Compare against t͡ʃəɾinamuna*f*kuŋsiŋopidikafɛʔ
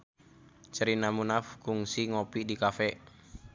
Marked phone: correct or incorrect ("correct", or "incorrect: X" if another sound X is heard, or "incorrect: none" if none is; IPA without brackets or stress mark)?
correct